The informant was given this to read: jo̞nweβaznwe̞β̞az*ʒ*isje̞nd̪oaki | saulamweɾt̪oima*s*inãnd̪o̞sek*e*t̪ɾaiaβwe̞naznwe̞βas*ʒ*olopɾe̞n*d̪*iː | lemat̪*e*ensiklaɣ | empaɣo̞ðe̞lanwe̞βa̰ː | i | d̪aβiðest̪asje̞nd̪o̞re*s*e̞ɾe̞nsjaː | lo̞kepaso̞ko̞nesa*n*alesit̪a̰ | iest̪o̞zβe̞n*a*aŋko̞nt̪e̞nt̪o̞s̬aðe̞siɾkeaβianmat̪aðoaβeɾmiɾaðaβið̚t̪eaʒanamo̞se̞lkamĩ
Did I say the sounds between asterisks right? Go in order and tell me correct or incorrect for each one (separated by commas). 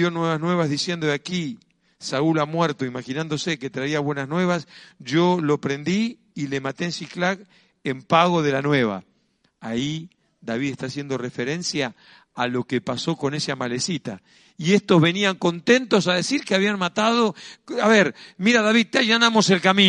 incorrect, incorrect, correct, correct, correct, correct, incorrect, incorrect, incorrect